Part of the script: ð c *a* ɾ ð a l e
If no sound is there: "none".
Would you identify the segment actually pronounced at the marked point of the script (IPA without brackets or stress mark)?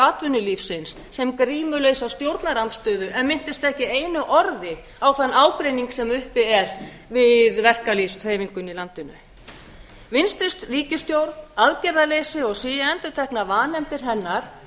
ɛ